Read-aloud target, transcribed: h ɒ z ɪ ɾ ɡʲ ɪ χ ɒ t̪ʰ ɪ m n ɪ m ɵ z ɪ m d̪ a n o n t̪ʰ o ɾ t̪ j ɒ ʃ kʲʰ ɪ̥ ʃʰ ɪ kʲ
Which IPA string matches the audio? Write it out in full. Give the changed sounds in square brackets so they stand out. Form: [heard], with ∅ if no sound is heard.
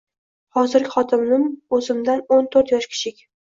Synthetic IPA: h ɒ z ɪ ɾ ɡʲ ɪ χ ɒ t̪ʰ ɪ m n ɪ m ɵ z ɪ m d̪ a n o n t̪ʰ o ɾ t̪ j ɒ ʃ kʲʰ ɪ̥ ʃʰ ɪ kʲ